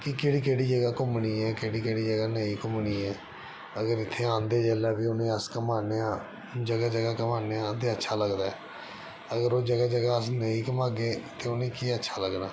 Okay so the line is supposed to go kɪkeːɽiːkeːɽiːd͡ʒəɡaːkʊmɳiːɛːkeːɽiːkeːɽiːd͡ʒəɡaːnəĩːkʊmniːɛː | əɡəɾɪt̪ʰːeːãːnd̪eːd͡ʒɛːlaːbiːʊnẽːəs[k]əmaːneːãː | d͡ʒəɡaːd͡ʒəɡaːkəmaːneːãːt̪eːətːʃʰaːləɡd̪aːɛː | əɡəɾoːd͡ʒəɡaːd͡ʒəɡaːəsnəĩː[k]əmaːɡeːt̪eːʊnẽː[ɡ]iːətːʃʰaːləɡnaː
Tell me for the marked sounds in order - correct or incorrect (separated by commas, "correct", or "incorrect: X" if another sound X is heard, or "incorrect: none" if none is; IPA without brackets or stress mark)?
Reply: correct, correct, incorrect: k